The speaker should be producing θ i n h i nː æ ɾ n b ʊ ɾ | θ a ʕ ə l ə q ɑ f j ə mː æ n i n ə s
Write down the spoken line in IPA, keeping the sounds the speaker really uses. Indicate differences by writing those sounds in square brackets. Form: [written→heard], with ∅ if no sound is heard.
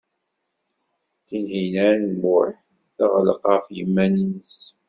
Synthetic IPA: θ i n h i [nː→n] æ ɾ n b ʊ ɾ | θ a [ʕ→ʁ] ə l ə q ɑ f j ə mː æ n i n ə s